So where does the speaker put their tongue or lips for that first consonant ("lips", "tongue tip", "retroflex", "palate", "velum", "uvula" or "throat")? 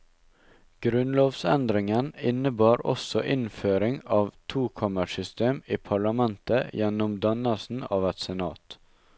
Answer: velum